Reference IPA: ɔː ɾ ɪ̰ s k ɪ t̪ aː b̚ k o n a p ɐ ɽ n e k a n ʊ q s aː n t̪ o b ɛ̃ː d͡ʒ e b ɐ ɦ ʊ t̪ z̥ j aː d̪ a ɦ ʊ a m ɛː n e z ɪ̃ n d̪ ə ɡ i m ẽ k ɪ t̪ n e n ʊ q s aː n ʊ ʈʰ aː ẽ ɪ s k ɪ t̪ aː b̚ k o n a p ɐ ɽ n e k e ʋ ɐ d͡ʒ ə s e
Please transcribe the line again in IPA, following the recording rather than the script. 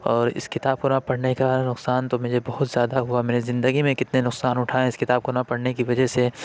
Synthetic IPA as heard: ɔː ɾ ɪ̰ s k ɪ t̪ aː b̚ k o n a p ɐ ɽ n e k a n ʊ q s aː n t̪ o m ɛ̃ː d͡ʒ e b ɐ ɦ ʊ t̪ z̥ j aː d̪ a ɦ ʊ a m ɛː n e z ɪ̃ n d̪ ə ɡ i m ẽ k ɪ t̪ n e n ʊ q s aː n ʊ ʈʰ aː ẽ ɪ s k ɪ t̪ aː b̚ k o n a p ɐ ɽ n e k i ʋ ɐ d͡ʒ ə s e